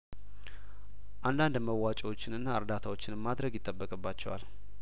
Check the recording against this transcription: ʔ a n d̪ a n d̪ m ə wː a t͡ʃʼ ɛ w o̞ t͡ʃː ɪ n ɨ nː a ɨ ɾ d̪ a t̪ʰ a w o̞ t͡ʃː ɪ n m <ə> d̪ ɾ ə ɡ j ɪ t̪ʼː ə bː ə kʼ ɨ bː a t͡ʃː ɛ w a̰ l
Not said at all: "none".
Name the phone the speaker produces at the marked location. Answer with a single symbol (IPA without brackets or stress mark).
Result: a